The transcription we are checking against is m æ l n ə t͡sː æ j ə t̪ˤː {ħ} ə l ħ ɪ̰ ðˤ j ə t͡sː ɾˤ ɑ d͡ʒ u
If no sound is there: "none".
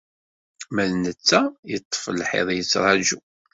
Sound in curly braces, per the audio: f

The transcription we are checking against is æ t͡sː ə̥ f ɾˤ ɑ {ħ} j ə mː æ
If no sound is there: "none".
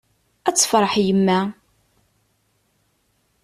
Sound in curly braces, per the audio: ħ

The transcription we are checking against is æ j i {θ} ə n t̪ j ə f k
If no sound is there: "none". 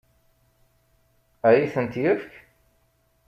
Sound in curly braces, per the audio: θ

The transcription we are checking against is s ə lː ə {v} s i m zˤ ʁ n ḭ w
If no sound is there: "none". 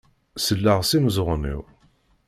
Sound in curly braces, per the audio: ʁ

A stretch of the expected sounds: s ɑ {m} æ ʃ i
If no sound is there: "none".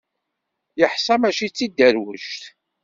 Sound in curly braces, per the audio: m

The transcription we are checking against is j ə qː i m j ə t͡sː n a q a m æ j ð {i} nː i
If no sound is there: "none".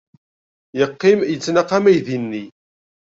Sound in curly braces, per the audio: i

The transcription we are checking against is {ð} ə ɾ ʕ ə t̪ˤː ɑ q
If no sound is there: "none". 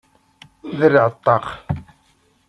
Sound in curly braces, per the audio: ð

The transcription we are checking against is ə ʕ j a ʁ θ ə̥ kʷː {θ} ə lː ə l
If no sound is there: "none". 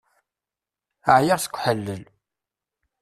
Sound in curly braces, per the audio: ħ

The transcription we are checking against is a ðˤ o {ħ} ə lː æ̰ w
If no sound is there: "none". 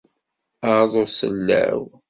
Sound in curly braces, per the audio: s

